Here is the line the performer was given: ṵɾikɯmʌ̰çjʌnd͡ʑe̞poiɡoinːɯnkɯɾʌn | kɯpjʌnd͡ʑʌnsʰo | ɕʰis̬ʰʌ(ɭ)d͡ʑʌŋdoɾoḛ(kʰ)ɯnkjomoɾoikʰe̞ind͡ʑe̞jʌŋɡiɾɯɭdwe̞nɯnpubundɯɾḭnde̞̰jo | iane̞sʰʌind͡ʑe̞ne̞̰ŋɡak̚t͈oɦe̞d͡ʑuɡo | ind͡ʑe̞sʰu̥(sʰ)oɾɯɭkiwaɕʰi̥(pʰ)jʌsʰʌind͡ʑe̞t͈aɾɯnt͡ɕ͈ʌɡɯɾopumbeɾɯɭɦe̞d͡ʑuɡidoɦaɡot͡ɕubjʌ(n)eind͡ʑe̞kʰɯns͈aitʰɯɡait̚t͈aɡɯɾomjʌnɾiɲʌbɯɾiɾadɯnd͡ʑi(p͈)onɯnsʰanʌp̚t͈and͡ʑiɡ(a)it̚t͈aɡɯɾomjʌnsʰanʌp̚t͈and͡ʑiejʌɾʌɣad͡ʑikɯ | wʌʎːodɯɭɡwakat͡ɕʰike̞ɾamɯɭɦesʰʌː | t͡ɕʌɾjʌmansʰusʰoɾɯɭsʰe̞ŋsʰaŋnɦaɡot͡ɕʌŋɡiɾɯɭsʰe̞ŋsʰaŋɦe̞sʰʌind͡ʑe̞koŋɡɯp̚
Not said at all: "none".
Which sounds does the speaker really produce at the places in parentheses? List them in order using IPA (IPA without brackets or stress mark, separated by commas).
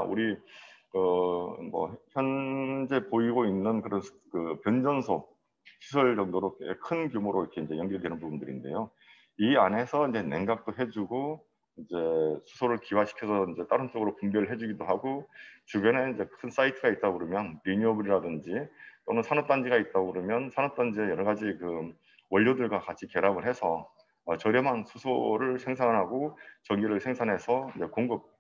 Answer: ɭ, kʰ, sʰ, kʰ, n, t͈, a